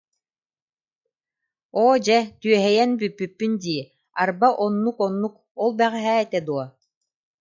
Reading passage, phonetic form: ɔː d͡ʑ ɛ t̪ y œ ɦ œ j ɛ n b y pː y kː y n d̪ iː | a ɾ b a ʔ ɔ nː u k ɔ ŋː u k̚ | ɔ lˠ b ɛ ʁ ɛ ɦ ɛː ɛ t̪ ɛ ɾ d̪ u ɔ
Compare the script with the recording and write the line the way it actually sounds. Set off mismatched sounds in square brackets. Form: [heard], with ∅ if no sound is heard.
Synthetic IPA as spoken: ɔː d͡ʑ ɛ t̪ y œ ɦ [ɛ] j ɛ n b y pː y [pː] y n d̪ iː | a ɾ b a ʔ ɔ nː u k ɔ [nː] u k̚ | ɔ lˠ b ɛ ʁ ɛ ɦ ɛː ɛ t̪ ɛ [∅] d̪ u ɔ